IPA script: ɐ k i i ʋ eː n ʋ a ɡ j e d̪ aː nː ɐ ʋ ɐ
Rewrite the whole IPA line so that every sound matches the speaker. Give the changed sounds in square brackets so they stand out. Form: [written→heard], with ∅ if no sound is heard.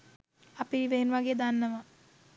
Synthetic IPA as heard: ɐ [k→p] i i ʋ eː n ʋ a ɡ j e d̪ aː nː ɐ ʋ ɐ